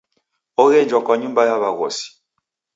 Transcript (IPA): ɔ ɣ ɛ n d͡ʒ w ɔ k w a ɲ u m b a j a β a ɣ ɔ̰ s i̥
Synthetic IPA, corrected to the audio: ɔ ɣ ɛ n d͡ʒ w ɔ k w a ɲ u m b a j a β a ɣ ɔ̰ s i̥